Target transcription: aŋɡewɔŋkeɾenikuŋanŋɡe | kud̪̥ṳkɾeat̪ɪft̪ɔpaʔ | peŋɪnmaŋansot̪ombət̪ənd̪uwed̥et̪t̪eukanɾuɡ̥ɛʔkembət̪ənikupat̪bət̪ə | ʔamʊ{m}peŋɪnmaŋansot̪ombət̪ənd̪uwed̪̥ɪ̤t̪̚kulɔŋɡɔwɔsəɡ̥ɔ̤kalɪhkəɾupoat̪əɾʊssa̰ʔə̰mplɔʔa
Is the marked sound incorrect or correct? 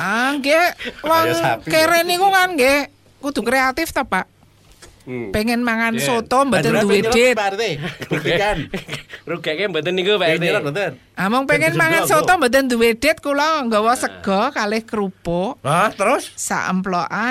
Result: incorrect